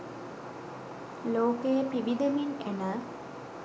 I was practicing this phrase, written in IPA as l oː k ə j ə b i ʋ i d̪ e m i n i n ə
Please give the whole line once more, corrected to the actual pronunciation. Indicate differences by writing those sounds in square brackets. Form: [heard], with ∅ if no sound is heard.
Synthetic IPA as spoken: l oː k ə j ə [p] i ʋ i d̪ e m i n [e] n ə